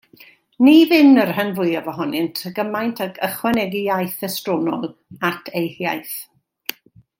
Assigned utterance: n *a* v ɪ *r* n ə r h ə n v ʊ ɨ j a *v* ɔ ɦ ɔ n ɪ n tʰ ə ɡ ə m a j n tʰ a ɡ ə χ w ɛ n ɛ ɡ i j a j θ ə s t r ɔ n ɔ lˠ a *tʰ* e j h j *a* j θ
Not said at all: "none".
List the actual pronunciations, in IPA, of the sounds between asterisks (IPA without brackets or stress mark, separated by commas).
i, none, v, tʰ, a